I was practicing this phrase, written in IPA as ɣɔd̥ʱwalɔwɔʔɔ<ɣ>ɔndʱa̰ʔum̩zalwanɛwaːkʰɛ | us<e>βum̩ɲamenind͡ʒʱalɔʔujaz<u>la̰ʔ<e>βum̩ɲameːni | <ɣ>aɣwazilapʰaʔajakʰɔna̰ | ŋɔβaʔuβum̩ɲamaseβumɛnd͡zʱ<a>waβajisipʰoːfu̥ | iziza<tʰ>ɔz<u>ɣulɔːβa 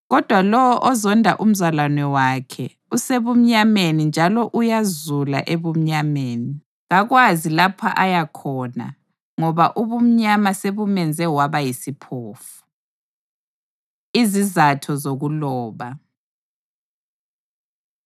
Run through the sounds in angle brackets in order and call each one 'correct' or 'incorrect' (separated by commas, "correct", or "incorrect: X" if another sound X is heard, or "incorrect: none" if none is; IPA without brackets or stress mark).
incorrect: z, correct, correct, correct, correct, incorrect: ɛ, correct, incorrect: o